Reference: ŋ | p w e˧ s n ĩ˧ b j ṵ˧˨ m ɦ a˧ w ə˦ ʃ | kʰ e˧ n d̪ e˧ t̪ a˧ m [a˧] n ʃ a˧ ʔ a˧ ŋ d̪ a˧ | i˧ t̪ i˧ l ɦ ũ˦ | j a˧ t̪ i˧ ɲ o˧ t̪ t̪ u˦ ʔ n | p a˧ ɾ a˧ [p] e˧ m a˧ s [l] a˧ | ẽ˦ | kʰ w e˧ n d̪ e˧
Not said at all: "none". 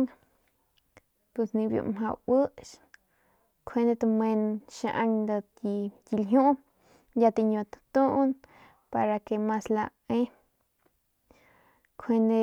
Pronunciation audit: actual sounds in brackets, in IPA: e˧, k, l

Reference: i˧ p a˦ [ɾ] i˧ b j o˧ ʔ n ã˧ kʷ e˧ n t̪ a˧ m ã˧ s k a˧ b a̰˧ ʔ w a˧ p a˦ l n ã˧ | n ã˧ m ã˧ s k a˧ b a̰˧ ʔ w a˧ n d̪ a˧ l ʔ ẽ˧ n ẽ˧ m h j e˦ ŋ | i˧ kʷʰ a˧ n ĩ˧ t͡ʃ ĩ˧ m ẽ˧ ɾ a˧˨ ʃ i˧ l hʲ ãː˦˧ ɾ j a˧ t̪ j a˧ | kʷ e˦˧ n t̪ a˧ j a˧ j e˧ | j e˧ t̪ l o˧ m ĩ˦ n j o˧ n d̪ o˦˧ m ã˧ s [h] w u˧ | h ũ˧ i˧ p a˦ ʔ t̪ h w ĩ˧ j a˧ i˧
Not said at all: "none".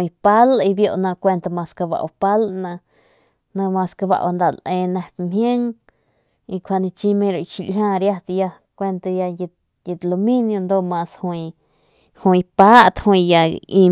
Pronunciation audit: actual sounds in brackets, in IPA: l, h

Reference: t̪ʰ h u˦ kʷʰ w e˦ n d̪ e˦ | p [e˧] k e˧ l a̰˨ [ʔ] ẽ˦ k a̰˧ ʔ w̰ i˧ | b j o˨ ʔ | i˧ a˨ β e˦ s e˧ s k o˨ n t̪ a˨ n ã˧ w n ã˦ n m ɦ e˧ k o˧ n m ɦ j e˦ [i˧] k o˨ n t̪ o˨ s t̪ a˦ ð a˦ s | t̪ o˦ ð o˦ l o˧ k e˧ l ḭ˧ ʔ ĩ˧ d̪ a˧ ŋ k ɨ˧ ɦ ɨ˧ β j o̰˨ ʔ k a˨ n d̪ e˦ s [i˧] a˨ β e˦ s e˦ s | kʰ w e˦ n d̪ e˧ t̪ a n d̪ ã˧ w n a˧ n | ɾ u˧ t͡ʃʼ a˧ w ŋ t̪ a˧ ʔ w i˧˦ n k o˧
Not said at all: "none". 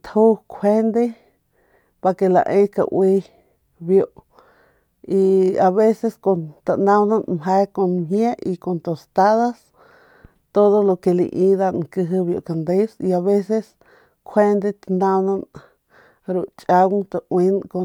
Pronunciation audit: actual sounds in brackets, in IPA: a˧, ʔ, i˧, i˧

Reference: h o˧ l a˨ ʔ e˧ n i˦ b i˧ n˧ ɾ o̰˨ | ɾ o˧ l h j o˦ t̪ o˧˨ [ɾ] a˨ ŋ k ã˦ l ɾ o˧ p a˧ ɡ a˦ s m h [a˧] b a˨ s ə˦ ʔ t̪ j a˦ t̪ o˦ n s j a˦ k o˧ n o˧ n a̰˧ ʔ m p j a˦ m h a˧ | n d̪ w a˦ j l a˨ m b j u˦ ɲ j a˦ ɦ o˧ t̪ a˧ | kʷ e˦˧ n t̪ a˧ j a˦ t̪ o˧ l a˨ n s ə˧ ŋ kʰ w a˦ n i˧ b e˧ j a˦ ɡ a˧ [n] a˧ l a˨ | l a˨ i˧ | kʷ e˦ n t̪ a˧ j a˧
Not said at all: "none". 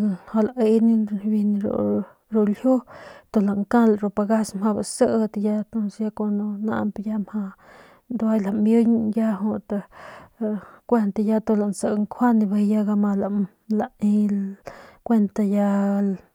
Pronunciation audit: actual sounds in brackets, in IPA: l, a˧, m

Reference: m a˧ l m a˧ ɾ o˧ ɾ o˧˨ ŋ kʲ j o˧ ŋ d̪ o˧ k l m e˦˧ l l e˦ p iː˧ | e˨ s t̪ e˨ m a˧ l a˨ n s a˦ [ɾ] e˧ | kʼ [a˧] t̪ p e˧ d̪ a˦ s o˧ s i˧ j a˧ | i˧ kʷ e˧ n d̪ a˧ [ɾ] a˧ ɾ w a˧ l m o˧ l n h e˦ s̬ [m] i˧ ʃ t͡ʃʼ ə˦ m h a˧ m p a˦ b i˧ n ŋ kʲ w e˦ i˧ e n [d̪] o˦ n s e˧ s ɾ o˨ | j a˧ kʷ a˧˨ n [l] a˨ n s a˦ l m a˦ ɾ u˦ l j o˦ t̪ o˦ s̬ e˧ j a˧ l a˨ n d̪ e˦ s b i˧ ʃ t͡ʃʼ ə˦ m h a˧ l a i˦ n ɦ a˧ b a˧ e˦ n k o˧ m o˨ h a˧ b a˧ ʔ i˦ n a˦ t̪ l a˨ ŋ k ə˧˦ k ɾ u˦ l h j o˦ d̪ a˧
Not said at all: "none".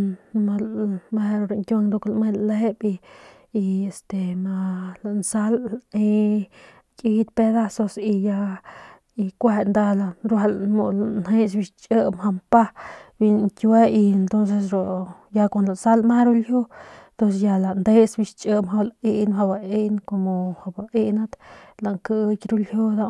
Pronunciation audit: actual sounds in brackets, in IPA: l, i˧, l, b, t̪, l

